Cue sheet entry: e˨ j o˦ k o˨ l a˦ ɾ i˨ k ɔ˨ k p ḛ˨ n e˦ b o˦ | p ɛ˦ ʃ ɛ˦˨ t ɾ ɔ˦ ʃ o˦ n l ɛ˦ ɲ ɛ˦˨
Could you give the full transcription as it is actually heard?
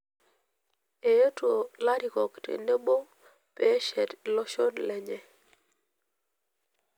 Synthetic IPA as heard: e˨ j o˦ t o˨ l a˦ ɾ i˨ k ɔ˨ k t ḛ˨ n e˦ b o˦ | p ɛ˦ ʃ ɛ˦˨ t l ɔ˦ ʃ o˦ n l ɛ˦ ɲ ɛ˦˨